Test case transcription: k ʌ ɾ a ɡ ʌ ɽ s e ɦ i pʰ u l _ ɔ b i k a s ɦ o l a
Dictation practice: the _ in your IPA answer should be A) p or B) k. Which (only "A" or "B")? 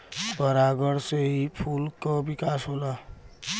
B